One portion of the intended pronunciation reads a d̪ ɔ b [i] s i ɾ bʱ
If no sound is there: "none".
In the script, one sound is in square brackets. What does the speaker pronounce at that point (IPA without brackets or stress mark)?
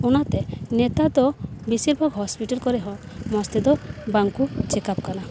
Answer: i